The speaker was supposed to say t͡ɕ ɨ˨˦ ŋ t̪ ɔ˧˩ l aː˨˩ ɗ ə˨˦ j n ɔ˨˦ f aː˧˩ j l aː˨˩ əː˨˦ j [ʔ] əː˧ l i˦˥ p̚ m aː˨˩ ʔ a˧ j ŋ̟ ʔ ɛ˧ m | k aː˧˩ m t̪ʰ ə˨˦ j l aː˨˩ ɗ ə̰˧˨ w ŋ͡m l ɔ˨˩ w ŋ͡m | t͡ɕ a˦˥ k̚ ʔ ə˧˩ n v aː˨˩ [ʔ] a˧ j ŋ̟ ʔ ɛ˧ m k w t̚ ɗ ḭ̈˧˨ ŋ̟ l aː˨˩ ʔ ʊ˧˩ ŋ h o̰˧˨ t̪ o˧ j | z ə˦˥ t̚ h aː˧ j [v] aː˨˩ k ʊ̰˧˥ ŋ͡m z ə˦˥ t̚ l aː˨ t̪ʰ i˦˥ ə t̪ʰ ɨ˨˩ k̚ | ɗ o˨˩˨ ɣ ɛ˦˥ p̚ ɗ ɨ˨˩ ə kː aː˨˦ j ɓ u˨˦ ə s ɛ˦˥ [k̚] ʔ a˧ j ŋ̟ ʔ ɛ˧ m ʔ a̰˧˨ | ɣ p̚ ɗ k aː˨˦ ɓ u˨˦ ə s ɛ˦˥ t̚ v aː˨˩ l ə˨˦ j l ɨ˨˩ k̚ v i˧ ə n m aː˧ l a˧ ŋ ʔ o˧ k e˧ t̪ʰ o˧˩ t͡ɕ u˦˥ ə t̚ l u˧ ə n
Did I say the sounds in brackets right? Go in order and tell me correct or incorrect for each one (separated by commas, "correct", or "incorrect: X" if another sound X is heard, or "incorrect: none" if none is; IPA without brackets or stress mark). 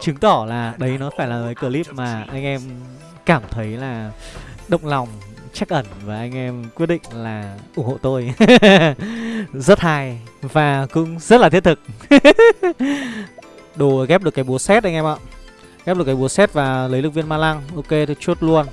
incorrect: k, correct, correct, incorrect: t̚